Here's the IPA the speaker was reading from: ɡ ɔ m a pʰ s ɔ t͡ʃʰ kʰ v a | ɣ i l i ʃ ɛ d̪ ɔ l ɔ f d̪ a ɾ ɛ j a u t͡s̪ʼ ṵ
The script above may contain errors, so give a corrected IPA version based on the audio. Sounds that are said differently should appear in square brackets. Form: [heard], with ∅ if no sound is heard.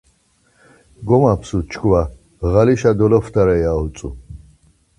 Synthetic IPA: ɡ ɔ m a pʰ s [u] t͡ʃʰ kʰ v a | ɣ [a] l i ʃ [a] d̪ ɔ l ɔ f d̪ a ɾ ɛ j a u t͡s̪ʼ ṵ